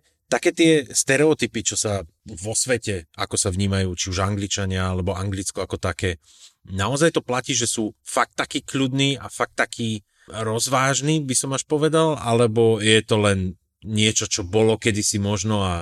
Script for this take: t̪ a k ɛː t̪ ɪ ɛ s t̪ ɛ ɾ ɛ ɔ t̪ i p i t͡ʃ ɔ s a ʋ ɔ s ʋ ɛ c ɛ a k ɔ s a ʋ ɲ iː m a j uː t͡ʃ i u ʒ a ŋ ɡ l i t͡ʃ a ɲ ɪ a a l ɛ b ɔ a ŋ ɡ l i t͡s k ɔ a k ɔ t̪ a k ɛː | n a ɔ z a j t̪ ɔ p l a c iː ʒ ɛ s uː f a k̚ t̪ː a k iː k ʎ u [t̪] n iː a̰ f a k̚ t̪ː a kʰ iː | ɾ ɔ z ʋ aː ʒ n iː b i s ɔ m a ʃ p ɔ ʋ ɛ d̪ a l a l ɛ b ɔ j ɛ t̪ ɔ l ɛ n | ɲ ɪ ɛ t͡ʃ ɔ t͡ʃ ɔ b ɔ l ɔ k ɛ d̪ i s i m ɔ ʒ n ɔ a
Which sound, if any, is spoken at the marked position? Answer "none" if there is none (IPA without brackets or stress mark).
d̪